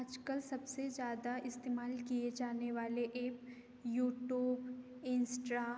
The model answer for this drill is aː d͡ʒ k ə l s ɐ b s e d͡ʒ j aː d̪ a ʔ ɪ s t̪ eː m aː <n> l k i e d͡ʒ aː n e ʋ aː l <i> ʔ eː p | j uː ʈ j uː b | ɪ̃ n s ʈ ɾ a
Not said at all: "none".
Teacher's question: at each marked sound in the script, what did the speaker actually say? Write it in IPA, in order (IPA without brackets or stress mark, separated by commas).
none, e